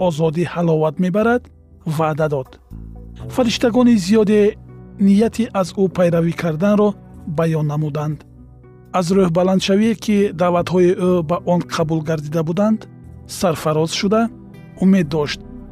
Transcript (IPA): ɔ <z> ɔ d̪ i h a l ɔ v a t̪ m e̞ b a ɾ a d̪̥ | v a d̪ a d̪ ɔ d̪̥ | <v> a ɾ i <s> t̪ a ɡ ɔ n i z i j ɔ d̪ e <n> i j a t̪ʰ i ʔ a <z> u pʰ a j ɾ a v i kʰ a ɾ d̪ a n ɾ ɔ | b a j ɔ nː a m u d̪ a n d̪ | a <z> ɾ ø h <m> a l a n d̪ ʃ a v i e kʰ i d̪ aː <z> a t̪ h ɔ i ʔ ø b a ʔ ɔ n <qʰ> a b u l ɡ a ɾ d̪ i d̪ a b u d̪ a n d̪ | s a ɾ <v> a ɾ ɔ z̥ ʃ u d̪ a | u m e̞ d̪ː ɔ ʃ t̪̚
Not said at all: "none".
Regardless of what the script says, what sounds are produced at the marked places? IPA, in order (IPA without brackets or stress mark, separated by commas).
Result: z, f, ʃ, n, z, z, b, v, qʰ, f